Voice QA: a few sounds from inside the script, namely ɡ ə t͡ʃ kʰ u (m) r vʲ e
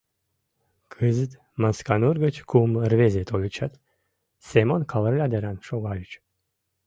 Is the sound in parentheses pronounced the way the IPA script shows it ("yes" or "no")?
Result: yes